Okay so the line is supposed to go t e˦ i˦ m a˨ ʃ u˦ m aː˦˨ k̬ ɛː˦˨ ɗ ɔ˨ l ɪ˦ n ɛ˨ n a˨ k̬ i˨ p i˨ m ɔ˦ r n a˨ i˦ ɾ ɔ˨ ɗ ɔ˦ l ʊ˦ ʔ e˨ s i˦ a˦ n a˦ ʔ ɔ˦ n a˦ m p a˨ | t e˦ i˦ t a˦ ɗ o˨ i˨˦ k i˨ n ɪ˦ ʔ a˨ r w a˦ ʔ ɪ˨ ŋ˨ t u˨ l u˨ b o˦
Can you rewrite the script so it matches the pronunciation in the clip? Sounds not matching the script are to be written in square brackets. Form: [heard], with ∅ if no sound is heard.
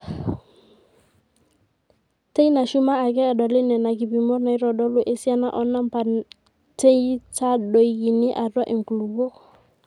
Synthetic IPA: t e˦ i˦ [n] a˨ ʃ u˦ m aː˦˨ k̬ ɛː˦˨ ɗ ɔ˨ l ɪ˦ n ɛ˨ n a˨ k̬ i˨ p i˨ m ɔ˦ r n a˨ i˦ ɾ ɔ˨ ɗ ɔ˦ l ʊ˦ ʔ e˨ s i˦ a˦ n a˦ ʔ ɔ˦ n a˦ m p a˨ | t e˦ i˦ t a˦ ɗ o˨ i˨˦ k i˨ n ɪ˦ ʔ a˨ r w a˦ ʔ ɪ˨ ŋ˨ [k] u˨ l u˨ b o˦

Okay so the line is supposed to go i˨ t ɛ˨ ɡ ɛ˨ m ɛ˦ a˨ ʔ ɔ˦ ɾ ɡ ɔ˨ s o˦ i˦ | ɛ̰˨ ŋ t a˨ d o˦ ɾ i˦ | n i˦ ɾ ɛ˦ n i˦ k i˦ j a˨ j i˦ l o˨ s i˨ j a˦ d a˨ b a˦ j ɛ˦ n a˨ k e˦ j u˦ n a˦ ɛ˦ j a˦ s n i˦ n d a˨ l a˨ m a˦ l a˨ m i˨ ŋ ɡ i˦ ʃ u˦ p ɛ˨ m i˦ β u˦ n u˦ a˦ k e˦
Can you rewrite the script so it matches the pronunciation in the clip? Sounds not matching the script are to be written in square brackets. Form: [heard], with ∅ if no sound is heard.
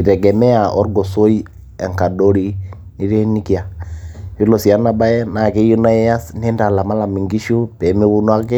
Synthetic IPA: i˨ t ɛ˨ ɡ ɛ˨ m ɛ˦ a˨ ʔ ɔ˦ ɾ ɡ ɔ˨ s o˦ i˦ | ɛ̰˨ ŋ [k] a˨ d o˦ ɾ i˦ | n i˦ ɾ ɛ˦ n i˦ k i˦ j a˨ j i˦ l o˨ s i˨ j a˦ [n] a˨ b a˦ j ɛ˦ n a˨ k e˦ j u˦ n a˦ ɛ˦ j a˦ s n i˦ n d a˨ l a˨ m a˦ l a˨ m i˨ ŋ ɡ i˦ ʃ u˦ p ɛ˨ m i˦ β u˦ n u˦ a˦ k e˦

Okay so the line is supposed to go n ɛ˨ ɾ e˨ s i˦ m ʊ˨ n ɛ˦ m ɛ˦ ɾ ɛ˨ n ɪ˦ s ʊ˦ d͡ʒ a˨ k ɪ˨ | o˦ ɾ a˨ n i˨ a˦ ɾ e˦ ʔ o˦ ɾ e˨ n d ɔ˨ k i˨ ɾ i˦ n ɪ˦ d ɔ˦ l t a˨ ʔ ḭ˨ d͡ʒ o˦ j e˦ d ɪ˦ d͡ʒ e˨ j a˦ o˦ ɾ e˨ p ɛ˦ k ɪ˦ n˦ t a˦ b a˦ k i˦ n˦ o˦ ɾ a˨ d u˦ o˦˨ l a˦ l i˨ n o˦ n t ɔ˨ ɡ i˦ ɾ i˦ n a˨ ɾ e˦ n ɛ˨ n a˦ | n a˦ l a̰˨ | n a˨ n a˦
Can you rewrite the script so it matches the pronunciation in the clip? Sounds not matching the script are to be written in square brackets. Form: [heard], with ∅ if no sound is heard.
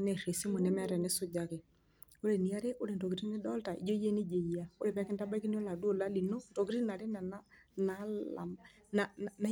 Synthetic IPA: n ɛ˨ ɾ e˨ s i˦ m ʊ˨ n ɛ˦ m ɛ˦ ɾ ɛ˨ n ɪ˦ s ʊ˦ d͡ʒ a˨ k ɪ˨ | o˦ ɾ [e˨] n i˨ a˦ ɾ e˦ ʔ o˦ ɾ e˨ n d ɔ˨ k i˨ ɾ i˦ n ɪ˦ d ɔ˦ l t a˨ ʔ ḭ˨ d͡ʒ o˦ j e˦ [n] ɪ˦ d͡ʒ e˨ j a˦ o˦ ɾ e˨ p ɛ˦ k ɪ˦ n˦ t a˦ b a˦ k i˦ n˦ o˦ [l] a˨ d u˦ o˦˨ l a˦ l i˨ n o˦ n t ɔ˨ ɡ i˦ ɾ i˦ n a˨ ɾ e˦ n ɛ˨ n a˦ | n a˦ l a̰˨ | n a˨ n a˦

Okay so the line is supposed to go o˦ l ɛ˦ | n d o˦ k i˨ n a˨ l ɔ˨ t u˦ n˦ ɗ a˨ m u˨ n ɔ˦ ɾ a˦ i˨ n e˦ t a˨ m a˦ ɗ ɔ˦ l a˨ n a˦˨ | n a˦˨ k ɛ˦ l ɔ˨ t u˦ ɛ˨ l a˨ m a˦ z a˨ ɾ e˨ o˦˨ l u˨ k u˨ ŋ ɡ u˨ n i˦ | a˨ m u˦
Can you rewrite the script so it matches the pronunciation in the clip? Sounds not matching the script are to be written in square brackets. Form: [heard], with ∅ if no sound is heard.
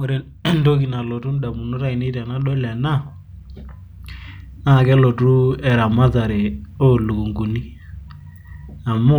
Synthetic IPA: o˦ [ɾ] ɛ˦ | n d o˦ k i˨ n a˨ l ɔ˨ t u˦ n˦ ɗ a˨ m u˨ n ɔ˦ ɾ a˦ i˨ n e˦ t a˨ [n] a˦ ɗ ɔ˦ l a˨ n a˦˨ | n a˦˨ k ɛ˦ l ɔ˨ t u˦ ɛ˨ [ɾ] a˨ m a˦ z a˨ ɾ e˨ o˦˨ l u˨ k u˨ ŋ ɡ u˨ n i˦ | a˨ m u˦

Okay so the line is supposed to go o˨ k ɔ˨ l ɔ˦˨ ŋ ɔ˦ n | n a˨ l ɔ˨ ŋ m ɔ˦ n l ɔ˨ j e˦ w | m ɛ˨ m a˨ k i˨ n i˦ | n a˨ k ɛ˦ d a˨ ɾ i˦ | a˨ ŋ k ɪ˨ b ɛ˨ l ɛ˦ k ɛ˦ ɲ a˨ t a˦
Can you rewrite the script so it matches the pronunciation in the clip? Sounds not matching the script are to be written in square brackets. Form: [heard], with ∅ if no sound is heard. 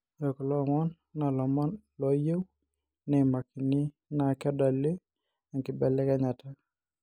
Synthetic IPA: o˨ k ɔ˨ l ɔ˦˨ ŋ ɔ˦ n | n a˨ l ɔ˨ [∅] m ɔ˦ n l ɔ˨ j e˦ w | [n] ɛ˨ m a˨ k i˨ n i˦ | n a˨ k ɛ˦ d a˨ [l] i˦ | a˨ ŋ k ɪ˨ b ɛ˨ l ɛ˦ k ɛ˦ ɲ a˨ t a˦

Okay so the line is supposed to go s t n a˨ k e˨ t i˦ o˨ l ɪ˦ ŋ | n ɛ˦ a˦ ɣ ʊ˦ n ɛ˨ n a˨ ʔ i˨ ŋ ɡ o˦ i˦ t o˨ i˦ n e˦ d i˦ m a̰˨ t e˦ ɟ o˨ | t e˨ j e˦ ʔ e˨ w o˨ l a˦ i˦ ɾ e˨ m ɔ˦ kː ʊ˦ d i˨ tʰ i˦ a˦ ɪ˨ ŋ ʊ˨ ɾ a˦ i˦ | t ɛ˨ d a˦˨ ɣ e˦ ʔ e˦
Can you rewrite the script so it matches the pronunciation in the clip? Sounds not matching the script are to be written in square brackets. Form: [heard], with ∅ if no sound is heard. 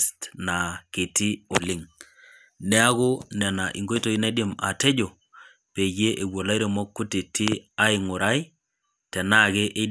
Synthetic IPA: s t n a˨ k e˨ t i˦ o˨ l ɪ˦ ŋ | n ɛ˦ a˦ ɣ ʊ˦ n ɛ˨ n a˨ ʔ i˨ ŋ ɡ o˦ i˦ t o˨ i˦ n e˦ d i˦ m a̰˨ t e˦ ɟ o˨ | [p] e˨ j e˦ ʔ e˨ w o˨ l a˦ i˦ ɾ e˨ m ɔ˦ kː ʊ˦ [t] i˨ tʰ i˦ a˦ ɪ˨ ŋ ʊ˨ ɾ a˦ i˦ | t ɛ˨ [n] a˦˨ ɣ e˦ ʔ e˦

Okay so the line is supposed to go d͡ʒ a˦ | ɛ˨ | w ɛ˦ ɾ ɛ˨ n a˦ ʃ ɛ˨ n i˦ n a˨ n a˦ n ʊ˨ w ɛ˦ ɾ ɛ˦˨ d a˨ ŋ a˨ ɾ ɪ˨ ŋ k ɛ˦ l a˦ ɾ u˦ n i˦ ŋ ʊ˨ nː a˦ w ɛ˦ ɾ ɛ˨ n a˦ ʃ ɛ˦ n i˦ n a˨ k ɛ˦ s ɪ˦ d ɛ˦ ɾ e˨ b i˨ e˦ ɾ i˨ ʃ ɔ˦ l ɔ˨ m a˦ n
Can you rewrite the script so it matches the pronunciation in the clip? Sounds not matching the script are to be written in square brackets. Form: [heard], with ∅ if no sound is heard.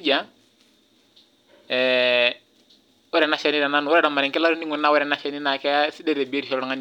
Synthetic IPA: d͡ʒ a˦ | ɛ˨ | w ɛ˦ ɾ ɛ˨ n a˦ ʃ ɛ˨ n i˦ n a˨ n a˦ n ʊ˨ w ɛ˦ ɾ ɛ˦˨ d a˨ [m] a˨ ɾ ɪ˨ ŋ k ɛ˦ l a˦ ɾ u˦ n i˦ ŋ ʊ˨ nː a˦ w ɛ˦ ɾ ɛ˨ n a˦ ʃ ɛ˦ n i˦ n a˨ k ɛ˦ s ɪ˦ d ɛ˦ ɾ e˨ b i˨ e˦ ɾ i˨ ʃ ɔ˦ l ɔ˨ [ŋ] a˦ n

